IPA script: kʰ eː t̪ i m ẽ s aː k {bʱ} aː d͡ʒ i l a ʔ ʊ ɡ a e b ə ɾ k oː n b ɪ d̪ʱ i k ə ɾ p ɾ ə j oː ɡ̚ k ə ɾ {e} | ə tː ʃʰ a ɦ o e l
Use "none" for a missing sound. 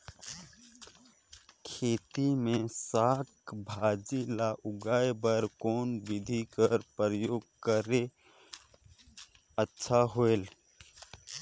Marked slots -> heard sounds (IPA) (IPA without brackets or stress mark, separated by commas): bʱ, e